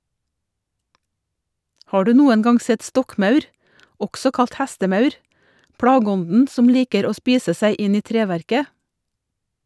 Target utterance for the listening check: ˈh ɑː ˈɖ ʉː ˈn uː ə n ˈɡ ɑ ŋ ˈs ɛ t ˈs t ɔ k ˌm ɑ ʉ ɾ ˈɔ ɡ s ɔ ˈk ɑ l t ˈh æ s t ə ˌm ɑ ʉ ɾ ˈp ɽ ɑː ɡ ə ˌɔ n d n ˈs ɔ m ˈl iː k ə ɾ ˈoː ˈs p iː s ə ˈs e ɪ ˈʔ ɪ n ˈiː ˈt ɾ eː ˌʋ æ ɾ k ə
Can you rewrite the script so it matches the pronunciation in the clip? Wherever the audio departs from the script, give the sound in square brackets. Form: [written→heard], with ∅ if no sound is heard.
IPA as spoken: ˈh ɑː ˈɖ ʉː ˈn uː ə n ˈɡ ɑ ŋ ˈs ɛ t ˈs t ɔ k ˌm ɑ ʉ ɾ ˈɔ ɡ s ɔ ˈk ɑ l t ˈh æ s t ə ˌm ɑ ʉ ɾ ˈp ɽ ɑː ɡ ə ˌɔ n d n ˈs ɔ m ˈl iː k ə ɾ ˈoː ˈs p iː s ə ˈs [e→æ] ɪ ˈʔ ɪ n ˈiː ˈt ɾ eː ˌʋ æ ɾ k ə